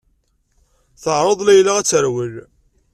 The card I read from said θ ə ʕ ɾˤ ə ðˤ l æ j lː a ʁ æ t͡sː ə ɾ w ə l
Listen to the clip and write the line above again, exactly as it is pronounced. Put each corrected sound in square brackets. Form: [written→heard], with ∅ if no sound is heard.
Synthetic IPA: θ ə ʕ ɾˤ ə ðˤ l æ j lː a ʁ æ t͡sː ə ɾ w ə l